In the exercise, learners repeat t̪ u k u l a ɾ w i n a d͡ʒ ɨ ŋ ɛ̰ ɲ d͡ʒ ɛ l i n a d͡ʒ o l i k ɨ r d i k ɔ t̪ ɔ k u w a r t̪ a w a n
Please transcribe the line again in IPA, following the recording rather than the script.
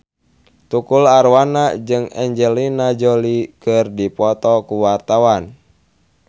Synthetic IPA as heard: t̪ u k u l a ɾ w a n a d͡ʒ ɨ ŋ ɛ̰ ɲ d͡ʒ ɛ l i n a d͡ʒ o l i k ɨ r d i p ɔ t̪ ɔ k u w a r t̪ a w a n